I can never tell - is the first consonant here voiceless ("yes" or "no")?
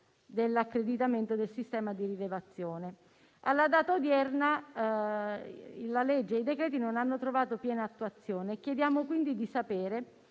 no